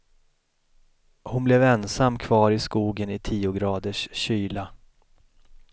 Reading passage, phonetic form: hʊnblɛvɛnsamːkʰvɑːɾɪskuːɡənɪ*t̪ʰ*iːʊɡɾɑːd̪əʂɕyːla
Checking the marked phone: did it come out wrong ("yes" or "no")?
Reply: no